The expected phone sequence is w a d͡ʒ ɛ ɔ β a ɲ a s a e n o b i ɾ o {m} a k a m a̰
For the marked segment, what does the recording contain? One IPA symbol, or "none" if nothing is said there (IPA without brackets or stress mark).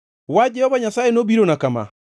n